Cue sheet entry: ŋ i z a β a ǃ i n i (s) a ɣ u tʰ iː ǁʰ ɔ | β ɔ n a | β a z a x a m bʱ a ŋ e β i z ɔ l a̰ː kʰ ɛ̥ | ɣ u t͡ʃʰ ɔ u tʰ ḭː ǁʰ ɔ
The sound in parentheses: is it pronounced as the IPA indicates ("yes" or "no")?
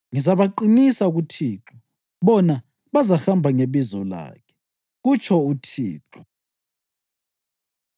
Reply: yes